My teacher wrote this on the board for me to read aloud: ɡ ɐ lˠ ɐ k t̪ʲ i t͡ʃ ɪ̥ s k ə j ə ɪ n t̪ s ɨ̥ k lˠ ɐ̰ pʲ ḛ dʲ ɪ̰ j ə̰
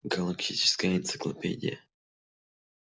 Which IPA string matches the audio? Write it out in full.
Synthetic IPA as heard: ɡ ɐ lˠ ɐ k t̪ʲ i t͡ʃ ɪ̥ s k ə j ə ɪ n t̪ s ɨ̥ k lˠ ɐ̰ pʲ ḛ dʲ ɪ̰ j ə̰